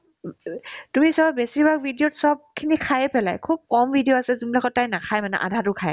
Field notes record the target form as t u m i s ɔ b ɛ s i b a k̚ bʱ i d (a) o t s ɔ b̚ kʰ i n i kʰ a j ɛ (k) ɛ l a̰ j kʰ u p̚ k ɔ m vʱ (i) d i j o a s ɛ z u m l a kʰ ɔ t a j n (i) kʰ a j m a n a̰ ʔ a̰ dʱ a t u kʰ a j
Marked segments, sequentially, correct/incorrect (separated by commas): incorrect, incorrect, correct, incorrect